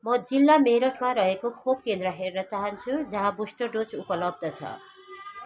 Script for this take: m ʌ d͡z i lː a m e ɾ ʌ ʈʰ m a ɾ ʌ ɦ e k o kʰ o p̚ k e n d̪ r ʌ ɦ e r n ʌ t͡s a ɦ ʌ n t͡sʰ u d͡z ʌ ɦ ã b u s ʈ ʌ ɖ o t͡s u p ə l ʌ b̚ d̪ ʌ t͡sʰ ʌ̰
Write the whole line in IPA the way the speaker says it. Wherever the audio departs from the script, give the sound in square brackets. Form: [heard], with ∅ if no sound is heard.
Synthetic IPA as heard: m ʌ d͡z i lː a m e ɾ ʌ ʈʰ m a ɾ ʌ ɦ e k o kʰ o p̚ k e n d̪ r ʌ ɦ e r n ʌ t͡s a ɦ ʌ n t͡sʰ u d͡z ʌ ɦ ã b u s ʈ ʌ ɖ o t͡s u p [ʌ] l ʌ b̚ d̪ ʌ t͡sʰ ʌ̰